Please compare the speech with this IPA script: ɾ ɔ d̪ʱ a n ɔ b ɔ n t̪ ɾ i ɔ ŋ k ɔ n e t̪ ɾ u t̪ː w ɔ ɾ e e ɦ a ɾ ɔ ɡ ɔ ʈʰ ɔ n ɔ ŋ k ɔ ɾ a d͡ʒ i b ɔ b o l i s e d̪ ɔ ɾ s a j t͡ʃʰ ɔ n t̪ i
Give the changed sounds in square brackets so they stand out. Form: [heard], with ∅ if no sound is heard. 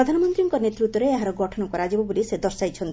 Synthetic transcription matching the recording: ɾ ɔ d̪ʱ a n ɔ [m] ɔ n t̪ ɾ i ɔ ŋ k ɔ n e t̪ ɾ u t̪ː w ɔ ɾ e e ɦ a ɾ ɔ ɡ ɔ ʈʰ ɔ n ɔ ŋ k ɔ ɾ a d͡ʒ i b ɔ b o l i s e d̪ ɔ ɾ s a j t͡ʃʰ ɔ n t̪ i